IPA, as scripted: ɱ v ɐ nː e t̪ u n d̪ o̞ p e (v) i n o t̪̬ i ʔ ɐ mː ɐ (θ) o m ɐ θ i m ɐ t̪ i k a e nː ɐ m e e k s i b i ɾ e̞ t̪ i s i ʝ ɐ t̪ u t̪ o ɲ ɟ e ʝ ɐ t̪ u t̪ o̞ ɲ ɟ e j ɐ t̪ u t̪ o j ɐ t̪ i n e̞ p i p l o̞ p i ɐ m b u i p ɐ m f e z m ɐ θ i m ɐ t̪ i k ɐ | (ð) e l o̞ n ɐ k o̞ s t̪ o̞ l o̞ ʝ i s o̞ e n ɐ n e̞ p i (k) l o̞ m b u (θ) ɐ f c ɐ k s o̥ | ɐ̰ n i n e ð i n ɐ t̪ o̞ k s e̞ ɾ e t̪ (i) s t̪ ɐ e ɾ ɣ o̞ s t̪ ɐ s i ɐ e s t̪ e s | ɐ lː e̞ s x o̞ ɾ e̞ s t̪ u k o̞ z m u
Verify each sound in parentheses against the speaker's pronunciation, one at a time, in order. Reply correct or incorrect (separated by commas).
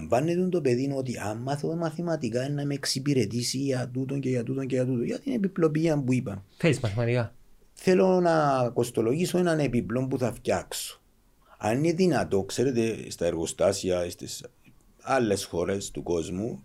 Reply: incorrect, correct, incorrect, incorrect, correct, incorrect